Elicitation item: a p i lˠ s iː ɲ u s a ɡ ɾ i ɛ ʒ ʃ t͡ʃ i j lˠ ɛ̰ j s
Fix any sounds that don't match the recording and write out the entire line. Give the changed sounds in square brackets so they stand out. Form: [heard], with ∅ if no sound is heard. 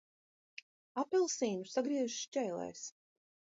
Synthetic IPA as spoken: a p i lˠ s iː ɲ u s a ɡ ɾ i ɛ ʒ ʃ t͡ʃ [ɛ] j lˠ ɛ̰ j s